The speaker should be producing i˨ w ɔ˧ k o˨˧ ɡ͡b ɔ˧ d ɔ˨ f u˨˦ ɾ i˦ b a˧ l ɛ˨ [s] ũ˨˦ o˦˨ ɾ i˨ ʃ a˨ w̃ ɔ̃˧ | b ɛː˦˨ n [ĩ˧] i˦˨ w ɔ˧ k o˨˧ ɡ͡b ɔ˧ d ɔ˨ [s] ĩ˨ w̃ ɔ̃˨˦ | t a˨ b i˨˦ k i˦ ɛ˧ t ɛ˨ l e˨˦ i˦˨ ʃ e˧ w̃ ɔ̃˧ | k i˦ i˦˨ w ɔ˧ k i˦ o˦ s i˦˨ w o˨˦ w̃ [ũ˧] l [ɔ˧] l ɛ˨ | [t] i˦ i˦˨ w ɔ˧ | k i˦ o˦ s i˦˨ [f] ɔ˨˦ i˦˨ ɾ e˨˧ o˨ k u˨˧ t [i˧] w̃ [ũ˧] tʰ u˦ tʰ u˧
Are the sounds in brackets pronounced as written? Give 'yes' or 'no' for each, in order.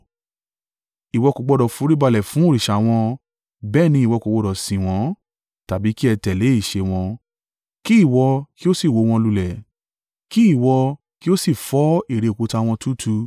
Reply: no, yes, yes, no, no, no, yes, no, no

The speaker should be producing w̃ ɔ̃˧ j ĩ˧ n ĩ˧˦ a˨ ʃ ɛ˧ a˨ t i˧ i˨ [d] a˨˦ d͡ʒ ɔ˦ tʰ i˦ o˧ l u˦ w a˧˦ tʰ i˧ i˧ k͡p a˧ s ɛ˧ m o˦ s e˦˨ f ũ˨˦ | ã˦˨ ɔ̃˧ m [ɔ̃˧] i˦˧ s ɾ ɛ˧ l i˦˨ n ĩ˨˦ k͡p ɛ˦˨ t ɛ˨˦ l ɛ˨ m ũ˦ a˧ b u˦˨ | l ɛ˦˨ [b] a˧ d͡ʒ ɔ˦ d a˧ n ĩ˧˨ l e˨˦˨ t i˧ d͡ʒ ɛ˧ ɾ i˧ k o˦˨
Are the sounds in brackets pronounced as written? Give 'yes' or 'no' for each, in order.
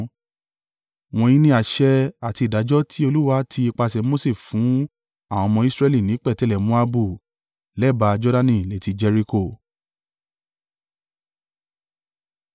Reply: yes, yes, yes

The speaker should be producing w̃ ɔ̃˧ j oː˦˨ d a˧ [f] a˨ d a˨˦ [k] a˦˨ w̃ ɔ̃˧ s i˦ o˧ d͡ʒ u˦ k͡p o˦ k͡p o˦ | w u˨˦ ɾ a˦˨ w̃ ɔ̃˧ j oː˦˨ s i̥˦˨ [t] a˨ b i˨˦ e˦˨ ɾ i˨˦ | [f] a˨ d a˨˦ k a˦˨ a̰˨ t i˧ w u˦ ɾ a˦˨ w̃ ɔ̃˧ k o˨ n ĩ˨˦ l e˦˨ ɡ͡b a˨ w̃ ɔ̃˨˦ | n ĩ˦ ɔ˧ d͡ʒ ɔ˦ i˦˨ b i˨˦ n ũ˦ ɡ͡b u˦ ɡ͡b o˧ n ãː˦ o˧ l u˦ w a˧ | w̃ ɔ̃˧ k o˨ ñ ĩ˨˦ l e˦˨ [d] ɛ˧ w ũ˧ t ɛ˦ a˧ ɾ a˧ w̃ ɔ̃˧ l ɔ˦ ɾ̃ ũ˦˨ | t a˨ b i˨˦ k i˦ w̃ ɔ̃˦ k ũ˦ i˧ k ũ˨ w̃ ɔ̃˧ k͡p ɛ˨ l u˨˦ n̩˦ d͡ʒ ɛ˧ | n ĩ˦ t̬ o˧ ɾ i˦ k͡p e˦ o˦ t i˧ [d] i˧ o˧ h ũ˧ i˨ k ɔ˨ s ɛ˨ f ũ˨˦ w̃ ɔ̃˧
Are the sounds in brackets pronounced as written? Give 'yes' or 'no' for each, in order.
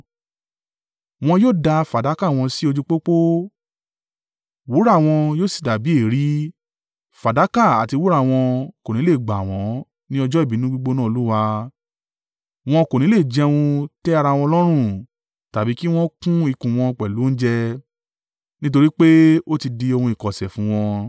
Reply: yes, yes, no, yes, no, yes

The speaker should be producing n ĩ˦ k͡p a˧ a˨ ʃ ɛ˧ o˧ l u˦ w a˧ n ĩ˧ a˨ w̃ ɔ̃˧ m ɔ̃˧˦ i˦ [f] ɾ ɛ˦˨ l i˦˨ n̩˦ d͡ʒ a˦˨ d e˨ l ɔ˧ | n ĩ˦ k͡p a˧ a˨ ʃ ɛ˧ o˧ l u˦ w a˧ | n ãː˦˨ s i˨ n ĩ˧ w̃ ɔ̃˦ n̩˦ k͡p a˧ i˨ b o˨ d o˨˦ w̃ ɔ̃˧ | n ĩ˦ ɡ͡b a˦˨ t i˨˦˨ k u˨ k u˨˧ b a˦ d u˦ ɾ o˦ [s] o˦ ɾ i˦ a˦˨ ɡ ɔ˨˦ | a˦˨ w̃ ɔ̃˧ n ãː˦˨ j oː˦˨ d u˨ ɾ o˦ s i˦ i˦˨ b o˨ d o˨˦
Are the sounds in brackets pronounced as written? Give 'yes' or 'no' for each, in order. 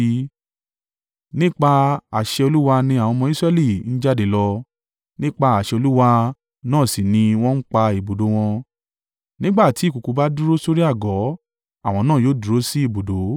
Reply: no, yes

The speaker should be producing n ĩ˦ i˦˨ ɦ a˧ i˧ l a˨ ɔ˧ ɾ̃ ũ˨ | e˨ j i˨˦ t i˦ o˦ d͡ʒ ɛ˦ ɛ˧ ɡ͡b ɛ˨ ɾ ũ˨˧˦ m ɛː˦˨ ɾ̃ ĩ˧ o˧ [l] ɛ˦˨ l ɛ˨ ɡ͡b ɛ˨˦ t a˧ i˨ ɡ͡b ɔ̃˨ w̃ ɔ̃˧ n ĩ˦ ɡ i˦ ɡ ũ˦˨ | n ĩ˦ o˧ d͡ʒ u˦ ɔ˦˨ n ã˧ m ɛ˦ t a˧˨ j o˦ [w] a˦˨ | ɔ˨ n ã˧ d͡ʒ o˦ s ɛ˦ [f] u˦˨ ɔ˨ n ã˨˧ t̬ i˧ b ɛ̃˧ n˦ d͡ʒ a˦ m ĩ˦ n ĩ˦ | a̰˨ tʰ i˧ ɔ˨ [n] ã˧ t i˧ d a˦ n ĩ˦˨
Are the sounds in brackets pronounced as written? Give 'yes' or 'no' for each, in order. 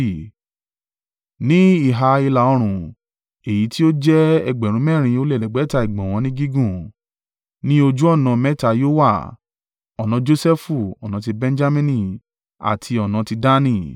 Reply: yes, yes, yes, yes

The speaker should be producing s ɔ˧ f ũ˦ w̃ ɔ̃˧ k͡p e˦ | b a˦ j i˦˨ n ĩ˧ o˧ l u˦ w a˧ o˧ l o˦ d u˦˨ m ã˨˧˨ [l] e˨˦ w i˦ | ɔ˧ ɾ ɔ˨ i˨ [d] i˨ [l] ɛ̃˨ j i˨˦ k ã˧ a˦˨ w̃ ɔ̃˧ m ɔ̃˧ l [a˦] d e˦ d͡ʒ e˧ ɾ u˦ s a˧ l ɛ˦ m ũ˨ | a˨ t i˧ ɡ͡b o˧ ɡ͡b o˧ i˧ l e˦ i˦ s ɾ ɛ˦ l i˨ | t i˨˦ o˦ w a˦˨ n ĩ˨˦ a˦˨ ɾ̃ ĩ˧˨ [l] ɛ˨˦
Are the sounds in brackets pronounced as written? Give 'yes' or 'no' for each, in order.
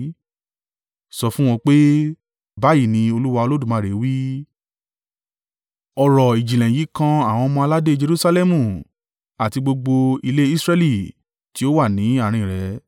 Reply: no, no, yes, yes, no

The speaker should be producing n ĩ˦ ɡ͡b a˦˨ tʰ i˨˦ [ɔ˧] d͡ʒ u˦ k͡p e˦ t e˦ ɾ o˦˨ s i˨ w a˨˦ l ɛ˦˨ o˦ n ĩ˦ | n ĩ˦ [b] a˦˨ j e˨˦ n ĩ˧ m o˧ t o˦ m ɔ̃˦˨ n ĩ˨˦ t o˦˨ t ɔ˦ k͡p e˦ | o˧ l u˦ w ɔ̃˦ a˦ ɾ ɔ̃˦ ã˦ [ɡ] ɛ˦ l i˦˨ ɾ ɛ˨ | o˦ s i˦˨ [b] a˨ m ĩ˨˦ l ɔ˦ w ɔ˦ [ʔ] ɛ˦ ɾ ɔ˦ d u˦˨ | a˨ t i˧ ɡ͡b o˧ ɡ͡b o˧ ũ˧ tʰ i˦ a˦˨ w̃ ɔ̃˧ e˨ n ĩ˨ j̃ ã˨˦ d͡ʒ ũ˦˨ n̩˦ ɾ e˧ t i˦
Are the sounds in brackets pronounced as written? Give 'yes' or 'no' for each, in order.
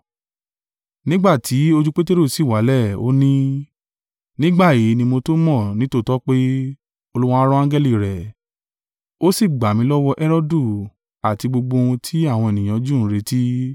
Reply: no, no, yes, no, yes

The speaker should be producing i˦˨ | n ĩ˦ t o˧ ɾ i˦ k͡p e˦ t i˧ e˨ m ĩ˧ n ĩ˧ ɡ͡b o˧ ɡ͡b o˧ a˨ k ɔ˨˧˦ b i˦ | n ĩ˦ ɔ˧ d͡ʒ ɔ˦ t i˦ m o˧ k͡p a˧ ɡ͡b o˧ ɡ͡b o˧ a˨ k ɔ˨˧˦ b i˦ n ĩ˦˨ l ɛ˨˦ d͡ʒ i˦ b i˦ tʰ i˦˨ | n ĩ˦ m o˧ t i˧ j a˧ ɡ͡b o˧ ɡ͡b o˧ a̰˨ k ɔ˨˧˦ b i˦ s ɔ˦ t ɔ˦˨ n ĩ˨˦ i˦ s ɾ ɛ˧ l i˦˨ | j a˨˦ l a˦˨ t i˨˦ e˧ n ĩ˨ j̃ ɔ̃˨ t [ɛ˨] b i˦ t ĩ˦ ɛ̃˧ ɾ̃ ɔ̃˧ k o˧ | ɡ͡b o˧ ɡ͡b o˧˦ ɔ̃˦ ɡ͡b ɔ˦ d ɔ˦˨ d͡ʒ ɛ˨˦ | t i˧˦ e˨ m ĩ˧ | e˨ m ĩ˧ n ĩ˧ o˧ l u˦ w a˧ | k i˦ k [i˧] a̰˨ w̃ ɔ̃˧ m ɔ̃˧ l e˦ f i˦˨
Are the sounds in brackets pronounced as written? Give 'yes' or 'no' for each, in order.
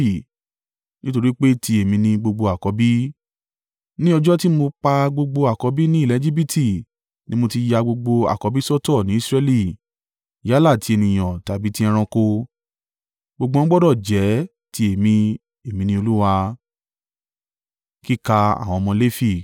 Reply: no, no

